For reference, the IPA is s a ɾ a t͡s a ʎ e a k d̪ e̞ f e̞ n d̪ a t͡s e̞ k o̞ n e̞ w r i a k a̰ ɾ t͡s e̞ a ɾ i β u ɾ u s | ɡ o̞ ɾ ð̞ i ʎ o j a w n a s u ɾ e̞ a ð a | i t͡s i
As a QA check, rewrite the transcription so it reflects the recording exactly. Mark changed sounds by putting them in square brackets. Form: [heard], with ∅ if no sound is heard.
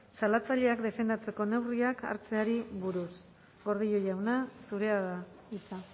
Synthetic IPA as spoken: s a [l] a t͡s a ʎ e a k d̪ e̞ f e̞ n d̪ a t͡s e̞ k o̞ n e̞ w r i a k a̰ ɾ t͡s e̞ a ɾ i β u ɾ u s | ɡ o̞ ɾ ð̞ i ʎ o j a w n a s u ɾ e̞ a ð a | i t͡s [a]